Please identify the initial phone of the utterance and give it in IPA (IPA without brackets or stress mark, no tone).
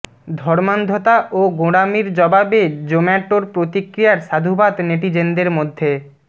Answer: d̪ʱ